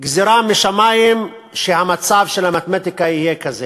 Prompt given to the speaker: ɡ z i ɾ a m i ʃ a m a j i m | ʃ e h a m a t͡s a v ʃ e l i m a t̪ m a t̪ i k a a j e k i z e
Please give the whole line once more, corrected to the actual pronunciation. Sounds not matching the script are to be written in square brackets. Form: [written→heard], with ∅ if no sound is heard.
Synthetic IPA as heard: ɡ z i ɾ a m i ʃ a m a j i m | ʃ e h a m a t͡s a v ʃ e l [i→a] m a t̪ m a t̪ i k a [a→i] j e k [i→a] z e